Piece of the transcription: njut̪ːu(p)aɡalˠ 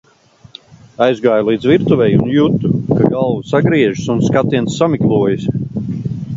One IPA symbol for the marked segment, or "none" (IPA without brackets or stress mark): k